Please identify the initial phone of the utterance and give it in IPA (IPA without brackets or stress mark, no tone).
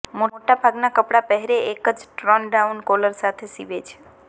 m